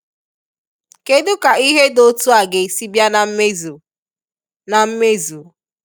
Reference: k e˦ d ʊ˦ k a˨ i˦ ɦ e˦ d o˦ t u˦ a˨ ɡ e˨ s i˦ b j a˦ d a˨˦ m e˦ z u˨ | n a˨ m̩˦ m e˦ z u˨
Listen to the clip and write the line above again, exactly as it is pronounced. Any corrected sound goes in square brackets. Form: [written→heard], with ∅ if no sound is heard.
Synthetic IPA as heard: k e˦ d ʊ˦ k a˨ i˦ ɦ e˦ d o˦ t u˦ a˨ ɡ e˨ s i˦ b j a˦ [d→n] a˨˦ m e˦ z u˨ | n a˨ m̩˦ m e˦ z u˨